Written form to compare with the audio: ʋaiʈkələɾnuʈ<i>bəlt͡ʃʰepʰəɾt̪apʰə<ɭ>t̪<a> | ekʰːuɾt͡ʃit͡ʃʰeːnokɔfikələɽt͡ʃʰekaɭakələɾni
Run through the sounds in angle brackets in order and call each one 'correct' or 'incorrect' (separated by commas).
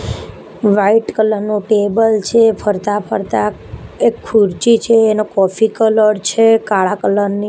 incorrect, incorrect, correct